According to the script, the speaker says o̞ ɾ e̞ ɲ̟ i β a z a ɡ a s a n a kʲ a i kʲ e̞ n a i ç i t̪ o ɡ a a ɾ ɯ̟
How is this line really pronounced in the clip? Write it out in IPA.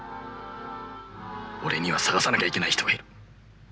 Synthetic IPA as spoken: o̞ ɾ e̞ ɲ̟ i β a s a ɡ a s a n a kʲ a i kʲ e̞ n a i ç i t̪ o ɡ a i ɾ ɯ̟